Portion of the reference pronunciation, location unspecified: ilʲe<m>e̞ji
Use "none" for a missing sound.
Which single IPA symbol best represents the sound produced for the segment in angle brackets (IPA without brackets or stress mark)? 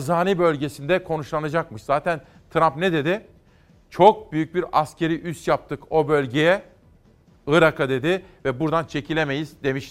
m